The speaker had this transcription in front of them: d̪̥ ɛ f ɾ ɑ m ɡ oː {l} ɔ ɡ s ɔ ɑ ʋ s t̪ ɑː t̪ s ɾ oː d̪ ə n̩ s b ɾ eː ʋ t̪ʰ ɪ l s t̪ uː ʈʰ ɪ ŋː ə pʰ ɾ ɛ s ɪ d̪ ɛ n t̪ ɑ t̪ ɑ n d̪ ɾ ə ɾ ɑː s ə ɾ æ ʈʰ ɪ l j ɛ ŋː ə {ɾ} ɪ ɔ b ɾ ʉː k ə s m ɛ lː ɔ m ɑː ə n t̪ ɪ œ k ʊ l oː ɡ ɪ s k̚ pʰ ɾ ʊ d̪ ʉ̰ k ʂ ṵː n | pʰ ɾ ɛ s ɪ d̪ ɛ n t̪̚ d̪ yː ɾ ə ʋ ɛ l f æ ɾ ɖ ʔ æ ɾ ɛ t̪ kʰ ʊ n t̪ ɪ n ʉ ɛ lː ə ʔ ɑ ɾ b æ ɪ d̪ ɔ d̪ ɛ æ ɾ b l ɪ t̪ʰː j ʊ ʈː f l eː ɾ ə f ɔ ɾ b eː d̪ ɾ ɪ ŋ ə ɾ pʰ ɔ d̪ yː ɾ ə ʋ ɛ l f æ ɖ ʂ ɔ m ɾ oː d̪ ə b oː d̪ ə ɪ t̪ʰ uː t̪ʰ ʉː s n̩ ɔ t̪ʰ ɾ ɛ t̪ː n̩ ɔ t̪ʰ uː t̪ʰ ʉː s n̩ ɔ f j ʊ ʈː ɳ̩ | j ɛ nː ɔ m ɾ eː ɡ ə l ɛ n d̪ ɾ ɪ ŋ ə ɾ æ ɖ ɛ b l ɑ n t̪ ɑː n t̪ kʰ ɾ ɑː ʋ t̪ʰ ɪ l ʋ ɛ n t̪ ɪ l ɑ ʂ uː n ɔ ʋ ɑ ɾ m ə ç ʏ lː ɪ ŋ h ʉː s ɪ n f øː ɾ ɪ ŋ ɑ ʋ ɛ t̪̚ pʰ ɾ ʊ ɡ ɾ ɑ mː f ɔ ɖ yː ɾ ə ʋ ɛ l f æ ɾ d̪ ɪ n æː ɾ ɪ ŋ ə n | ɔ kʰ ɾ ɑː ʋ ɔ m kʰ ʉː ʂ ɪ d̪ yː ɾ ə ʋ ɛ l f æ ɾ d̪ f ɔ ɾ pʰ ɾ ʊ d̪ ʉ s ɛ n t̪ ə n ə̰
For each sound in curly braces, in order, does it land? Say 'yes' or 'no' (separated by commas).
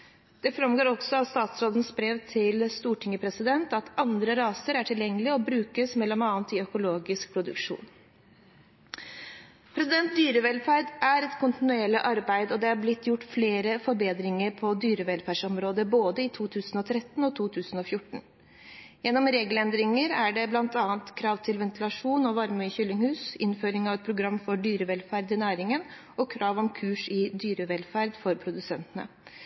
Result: no, no